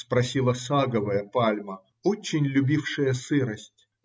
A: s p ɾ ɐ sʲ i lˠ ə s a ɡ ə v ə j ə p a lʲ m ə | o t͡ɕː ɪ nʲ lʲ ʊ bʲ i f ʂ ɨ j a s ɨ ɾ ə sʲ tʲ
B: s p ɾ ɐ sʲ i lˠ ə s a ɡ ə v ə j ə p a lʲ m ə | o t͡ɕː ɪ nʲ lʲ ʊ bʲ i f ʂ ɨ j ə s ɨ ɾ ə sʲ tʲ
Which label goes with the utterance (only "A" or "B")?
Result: B